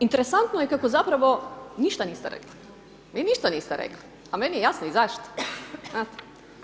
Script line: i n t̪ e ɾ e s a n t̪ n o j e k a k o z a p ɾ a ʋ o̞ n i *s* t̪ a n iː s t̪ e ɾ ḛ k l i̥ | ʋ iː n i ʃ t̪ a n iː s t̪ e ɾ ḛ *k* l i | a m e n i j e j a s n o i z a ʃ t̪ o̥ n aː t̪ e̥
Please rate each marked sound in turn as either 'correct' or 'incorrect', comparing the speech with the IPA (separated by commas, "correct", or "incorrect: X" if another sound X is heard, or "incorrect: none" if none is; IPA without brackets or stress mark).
incorrect: ʃ, correct